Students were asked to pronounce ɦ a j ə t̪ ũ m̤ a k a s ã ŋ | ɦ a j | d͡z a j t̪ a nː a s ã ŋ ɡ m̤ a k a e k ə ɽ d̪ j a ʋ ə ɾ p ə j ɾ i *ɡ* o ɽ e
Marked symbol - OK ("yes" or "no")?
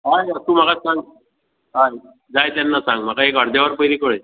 no